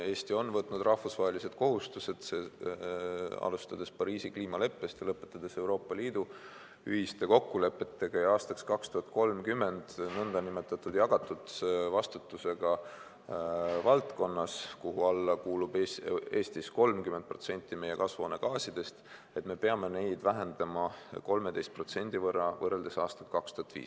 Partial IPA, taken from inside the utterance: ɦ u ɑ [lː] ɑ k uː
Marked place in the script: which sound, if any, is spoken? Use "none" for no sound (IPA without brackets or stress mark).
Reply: lː